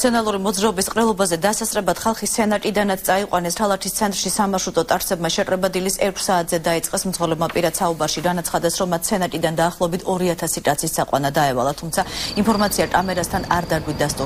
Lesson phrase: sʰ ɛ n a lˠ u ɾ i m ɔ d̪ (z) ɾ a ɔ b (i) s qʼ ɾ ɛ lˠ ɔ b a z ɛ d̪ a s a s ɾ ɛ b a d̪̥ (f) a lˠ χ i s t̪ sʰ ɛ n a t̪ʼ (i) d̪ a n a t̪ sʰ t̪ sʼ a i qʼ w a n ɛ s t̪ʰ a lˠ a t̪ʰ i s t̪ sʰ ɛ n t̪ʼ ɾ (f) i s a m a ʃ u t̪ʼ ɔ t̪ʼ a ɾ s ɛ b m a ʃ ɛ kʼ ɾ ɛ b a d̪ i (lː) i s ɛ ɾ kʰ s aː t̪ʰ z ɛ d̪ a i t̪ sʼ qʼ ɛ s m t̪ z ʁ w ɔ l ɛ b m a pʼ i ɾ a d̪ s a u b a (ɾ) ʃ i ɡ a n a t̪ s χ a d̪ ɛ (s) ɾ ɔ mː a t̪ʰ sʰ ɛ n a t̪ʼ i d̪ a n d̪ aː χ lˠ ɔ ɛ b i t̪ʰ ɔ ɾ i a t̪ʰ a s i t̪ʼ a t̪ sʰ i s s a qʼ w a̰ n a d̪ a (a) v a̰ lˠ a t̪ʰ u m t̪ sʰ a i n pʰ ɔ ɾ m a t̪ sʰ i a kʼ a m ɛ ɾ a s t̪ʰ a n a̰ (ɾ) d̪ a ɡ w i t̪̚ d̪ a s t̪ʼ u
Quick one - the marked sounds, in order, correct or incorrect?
correct, correct, incorrect: χ, correct, incorrect: ʃ, incorrect: l, correct, correct, incorrect: ɛ, correct

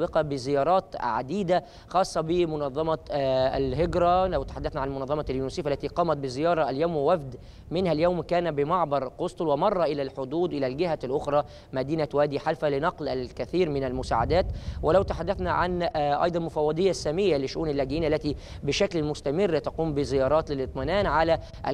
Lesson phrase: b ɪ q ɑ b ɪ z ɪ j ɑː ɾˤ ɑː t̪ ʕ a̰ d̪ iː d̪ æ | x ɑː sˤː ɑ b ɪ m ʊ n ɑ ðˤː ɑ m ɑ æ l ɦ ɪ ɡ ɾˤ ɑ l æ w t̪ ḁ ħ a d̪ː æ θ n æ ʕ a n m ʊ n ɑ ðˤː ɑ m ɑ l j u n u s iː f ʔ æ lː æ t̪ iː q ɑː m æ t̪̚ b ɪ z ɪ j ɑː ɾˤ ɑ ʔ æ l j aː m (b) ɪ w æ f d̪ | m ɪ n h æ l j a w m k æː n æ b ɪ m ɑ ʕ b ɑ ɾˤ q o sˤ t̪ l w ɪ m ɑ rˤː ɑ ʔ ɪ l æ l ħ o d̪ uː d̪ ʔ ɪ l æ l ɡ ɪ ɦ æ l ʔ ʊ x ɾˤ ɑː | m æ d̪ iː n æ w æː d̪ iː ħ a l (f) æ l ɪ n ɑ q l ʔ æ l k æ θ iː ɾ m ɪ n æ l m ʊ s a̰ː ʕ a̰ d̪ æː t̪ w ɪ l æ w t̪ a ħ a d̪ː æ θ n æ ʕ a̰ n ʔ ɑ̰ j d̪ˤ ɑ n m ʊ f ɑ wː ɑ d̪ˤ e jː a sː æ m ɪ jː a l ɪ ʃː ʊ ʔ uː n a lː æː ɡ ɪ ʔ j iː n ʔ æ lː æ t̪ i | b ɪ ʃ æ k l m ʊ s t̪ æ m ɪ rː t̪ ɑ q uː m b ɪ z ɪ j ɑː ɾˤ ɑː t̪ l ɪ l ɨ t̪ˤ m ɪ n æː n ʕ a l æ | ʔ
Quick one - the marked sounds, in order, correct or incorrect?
incorrect: w, correct

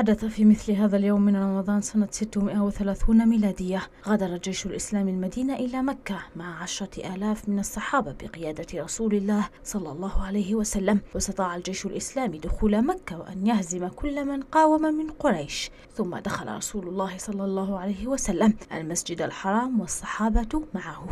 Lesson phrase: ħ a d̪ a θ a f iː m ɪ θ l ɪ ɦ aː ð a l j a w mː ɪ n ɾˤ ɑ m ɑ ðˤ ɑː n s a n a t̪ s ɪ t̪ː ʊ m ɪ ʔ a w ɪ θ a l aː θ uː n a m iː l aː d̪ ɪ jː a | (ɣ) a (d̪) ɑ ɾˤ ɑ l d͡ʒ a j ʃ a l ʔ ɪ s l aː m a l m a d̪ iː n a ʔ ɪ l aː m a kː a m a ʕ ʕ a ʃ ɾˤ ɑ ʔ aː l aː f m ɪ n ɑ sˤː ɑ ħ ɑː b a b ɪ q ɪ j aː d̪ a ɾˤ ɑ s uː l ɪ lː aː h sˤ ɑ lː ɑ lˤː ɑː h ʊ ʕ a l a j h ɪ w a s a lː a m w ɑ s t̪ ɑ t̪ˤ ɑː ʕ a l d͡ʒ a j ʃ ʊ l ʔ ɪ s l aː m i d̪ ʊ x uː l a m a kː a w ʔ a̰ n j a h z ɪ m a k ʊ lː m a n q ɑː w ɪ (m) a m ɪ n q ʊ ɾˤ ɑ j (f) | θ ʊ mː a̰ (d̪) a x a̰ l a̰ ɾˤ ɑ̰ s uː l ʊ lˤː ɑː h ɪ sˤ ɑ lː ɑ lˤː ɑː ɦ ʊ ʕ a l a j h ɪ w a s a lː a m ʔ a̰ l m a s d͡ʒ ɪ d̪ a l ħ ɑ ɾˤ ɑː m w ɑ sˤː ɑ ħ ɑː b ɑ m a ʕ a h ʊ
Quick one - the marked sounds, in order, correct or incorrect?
correct, correct, correct, incorrect: ʃ, correct

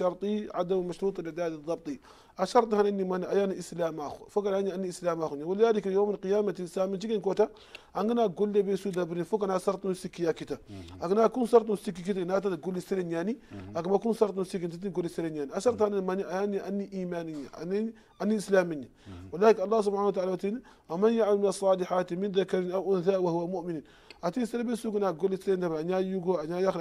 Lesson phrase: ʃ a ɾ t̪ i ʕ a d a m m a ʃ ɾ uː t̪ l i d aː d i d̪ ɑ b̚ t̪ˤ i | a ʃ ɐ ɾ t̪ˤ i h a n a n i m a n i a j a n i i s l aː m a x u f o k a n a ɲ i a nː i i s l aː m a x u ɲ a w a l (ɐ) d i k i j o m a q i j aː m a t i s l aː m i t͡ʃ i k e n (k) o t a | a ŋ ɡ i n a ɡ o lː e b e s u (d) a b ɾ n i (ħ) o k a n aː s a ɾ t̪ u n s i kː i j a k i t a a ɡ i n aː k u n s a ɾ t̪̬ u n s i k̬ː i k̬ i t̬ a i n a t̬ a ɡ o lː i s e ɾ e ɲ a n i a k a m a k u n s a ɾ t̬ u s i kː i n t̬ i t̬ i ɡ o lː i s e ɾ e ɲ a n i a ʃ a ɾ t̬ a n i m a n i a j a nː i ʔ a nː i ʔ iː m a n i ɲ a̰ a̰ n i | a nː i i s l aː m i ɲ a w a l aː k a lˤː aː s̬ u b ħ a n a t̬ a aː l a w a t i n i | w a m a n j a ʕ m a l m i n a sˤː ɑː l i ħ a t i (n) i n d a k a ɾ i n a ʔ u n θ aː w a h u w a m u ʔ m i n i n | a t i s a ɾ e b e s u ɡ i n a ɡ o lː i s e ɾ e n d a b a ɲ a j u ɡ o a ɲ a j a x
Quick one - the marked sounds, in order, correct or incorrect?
incorrect: a, correct, correct, incorrect: f, incorrect: m

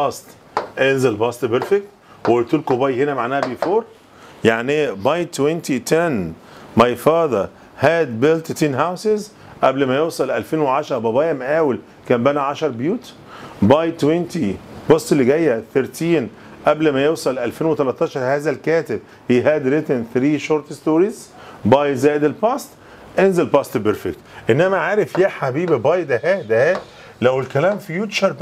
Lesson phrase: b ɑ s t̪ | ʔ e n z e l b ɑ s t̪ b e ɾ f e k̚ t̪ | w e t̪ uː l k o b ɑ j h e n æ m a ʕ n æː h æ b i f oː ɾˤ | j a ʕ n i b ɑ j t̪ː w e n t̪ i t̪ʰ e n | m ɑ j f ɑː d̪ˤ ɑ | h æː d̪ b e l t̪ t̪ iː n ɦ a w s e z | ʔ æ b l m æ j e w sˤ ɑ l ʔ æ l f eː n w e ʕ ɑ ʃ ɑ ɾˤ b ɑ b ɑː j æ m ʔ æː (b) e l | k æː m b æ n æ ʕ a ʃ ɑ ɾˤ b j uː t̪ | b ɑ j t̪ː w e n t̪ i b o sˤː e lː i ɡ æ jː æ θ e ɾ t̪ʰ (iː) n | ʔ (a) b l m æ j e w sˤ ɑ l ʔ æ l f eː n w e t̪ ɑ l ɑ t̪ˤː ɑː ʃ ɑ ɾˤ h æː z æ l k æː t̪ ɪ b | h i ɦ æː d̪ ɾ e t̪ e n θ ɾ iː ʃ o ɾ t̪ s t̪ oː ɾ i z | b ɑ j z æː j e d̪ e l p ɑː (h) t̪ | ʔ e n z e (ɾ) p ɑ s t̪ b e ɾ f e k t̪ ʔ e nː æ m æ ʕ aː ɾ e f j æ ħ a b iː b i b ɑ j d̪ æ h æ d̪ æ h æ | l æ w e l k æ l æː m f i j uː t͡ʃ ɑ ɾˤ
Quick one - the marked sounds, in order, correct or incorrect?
incorrect: w, correct, incorrect: æ, incorrect: s, incorrect: l

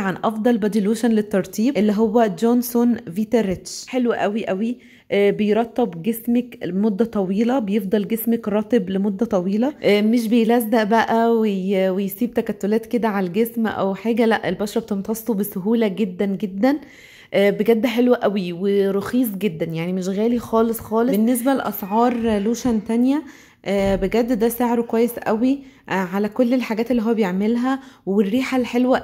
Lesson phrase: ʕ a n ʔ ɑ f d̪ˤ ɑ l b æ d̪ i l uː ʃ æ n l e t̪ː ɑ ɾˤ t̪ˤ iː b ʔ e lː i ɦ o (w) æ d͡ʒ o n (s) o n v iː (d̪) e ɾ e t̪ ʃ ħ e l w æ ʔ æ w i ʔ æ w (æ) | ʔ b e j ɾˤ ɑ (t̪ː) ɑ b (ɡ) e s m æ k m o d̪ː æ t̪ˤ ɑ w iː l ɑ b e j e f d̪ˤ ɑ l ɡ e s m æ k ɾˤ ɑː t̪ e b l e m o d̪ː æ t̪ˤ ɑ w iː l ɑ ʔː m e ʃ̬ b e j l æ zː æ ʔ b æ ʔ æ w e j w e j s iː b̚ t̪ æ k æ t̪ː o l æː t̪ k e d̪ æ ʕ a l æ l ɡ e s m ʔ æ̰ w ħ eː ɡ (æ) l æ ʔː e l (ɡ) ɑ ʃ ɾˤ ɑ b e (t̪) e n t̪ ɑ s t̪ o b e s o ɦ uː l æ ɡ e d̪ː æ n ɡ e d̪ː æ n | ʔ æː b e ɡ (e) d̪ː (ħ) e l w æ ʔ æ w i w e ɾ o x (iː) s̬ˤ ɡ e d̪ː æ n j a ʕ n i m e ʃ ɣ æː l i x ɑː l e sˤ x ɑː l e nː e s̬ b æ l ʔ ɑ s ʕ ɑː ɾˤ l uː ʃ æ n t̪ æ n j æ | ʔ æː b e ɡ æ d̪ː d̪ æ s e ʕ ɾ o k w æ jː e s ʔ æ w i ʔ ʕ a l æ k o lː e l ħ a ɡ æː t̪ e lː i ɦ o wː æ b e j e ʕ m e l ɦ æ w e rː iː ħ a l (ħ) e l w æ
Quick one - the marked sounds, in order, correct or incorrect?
incorrect: wː, correct, incorrect: t̪, incorrect: i, correct, correct, correct, incorrect: b, correct, incorrect: æ, correct, correct, correct

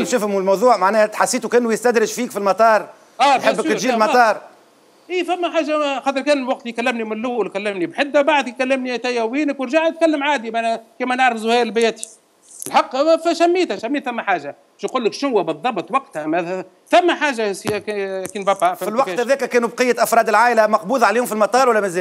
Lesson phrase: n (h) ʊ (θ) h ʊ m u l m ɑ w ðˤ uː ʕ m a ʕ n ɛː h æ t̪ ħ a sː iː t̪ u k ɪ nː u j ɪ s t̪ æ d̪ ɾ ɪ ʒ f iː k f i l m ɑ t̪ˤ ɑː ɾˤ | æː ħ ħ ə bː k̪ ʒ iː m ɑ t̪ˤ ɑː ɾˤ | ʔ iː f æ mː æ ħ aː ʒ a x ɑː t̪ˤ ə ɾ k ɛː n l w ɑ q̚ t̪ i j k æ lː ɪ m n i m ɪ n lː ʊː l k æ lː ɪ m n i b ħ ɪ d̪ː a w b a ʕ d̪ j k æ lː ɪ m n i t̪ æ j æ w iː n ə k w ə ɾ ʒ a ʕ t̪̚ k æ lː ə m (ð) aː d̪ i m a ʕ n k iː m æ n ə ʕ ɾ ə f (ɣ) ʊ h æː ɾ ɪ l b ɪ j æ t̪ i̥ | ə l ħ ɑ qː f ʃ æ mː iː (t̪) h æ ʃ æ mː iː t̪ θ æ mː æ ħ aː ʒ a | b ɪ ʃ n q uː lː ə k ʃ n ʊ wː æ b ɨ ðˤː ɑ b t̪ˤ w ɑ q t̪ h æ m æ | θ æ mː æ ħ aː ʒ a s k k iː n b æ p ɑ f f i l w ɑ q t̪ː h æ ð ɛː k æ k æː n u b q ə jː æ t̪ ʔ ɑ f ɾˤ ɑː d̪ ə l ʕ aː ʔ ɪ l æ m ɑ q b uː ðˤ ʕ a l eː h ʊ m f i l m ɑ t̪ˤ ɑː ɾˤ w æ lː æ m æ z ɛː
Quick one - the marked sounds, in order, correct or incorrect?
incorrect: ʃ, incorrect: f, incorrect: ʕ, incorrect: z, correct

